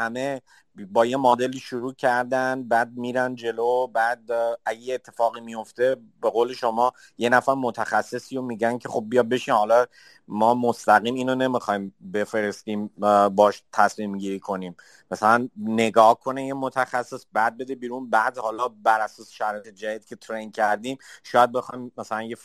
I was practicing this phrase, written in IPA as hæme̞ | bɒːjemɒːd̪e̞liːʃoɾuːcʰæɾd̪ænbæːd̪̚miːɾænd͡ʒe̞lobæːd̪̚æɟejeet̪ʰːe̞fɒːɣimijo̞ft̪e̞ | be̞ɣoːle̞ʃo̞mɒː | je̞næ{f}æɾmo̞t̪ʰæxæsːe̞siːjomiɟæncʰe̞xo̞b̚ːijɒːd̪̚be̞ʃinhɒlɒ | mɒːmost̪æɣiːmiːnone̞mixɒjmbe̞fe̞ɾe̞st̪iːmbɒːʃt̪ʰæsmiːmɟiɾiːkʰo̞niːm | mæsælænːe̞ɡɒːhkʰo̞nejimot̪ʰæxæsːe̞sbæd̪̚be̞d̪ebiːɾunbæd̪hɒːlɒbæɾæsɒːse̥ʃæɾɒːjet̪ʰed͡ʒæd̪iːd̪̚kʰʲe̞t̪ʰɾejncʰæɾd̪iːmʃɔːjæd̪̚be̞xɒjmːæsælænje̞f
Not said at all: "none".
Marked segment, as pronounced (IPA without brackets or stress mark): f